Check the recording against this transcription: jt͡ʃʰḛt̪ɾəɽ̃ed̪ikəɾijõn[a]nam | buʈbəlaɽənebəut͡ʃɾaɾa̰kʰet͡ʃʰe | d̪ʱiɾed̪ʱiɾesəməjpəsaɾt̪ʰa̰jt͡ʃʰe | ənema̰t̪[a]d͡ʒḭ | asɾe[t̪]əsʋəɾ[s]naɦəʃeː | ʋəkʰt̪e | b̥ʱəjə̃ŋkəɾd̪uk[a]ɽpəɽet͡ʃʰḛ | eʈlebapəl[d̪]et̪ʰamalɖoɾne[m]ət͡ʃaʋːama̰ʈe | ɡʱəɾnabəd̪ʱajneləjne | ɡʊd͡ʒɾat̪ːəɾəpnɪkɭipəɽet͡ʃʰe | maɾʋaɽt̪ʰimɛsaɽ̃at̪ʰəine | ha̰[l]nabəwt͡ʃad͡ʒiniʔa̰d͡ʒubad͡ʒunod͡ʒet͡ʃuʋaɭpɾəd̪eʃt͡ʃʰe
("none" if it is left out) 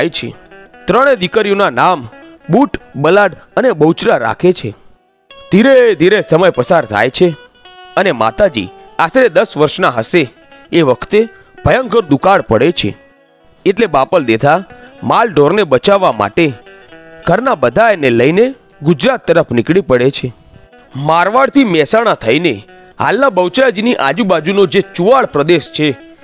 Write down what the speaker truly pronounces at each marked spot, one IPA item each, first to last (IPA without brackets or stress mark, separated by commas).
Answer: a, a, d̪, ʃ, a, d̪, b, l